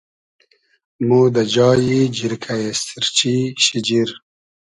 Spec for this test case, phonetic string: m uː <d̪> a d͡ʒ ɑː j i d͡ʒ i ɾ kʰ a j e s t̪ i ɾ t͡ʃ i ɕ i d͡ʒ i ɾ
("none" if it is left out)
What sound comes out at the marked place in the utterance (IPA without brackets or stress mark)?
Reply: d̪